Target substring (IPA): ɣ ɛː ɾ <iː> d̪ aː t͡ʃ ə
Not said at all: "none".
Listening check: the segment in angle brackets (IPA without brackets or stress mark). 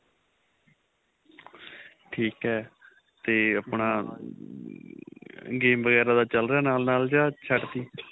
aː